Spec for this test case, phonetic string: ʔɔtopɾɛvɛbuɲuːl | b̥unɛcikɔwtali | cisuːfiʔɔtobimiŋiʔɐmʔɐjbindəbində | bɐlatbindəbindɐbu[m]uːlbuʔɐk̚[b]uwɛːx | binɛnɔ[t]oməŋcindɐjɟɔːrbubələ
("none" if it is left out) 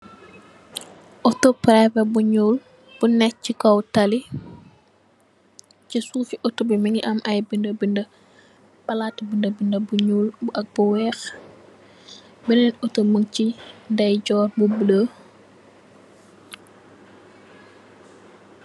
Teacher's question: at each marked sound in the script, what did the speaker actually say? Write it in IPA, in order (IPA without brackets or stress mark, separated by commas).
ɲ, b, t